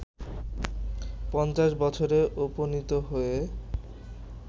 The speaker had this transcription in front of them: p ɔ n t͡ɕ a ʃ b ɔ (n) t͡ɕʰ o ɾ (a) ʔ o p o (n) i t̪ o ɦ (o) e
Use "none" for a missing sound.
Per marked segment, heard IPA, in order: none, e, n, o

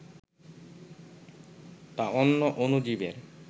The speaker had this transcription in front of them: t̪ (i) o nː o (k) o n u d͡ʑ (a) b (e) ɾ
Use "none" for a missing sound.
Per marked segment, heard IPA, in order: a, ʔ, i, e

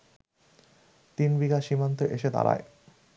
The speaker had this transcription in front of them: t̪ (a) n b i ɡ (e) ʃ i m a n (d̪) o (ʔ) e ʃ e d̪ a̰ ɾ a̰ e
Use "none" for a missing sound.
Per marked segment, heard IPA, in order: i, a, t̪, ʔ

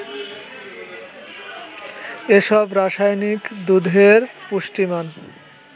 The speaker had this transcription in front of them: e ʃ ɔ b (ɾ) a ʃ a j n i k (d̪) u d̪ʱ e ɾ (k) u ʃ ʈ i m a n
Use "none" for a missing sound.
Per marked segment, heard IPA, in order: ɾ, d̪, p

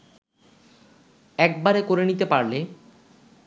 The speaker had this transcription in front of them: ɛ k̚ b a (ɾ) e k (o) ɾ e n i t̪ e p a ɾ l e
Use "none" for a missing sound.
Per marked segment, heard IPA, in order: ɾ, o

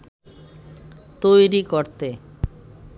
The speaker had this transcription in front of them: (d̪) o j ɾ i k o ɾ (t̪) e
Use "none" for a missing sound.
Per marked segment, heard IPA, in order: t̪, t̪

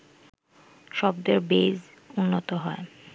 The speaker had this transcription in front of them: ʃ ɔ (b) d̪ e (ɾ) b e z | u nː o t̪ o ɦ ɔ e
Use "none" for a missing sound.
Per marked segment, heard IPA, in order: b, ɾ

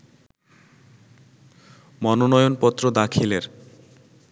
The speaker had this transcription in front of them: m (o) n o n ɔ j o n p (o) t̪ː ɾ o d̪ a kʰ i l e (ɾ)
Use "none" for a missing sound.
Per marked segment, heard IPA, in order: ɔ, ɔ, ɾ

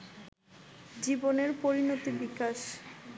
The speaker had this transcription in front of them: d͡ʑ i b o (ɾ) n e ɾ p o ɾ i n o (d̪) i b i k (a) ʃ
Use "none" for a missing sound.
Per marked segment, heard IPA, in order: none, t̪, a

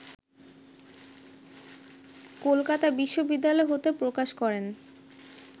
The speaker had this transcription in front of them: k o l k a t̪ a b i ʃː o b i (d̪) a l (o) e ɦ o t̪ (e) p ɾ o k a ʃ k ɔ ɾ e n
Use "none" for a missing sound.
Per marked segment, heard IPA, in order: d̪ː, ɔ, e

